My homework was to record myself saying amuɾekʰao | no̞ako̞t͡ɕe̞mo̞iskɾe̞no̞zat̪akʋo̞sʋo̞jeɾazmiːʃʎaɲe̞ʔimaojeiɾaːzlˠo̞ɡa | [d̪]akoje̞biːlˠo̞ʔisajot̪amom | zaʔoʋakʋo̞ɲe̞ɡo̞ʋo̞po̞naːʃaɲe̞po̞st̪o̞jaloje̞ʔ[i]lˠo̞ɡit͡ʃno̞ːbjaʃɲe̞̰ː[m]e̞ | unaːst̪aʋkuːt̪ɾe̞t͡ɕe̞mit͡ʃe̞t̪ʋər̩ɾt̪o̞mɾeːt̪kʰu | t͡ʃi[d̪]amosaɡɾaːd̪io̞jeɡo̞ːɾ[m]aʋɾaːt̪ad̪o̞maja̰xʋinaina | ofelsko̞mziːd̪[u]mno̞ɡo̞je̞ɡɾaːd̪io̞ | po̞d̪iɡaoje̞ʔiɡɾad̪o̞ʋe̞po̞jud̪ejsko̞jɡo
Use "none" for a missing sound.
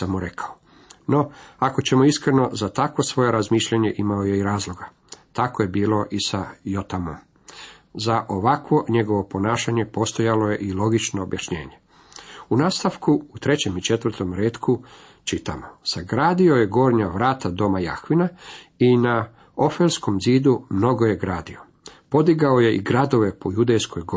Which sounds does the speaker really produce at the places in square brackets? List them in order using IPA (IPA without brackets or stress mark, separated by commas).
t̪, i, ɲ, t̪, ɲ, u